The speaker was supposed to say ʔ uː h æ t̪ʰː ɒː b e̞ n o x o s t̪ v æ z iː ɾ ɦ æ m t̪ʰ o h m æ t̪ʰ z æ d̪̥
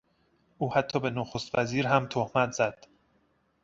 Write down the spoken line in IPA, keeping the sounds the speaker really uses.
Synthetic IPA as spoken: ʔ uː h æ t̪ʰː ɒː b e̞ n o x o s t̪ v æ z iː ɾ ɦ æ m t̪ʰ o h m æ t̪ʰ z æ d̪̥